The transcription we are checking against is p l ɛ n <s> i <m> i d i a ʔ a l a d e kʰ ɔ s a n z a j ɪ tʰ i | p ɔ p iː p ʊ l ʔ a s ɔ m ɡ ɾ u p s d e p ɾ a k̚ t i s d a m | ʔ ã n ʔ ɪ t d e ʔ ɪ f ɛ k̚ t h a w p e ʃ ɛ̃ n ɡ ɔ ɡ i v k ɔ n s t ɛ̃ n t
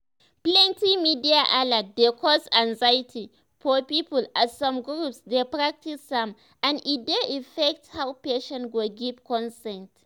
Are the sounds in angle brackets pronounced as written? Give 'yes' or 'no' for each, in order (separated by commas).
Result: no, yes